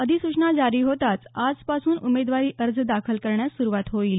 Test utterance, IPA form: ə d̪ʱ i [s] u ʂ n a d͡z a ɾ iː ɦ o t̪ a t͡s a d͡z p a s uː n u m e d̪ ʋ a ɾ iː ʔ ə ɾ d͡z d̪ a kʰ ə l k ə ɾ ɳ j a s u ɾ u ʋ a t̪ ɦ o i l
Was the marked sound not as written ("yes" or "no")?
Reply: no